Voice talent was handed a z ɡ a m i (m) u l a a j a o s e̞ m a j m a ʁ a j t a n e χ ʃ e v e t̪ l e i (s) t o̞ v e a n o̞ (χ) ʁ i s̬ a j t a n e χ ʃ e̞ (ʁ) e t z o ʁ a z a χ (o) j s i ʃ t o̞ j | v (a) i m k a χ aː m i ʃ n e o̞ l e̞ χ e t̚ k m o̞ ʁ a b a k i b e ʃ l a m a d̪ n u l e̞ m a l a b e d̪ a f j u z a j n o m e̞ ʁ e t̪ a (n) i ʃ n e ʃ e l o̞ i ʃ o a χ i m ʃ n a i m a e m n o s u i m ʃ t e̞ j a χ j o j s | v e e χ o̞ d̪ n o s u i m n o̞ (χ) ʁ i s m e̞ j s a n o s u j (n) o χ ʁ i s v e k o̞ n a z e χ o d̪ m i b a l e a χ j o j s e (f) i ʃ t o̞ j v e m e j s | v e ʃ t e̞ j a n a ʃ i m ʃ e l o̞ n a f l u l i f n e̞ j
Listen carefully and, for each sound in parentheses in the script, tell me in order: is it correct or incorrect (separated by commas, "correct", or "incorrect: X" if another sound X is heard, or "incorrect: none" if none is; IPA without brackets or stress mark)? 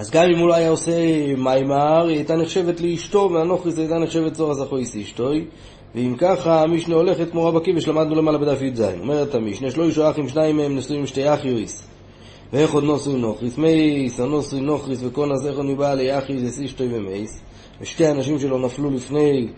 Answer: correct, incorrect: ʃ, correct, incorrect: v, correct, incorrect: e, incorrect: m, correct, correct, incorrect: s